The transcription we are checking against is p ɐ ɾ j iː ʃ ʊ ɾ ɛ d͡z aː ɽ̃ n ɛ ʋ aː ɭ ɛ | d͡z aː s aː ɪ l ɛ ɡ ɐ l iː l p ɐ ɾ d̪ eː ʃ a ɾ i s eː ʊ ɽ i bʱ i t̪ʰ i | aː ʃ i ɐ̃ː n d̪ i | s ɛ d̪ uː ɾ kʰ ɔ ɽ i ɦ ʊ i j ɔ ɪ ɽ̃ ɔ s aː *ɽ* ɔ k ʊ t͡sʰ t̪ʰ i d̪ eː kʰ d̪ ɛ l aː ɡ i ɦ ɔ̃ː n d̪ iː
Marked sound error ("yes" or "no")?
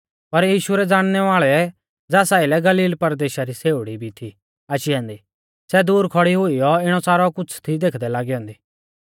yes